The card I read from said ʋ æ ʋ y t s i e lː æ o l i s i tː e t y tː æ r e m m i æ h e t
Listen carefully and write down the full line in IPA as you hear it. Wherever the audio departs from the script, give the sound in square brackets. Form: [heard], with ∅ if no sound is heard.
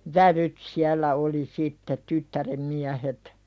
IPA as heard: ʋ æ ʋ y t s i [æ] lː æ o l i s i tː e t y tː æ r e m m i æ h e t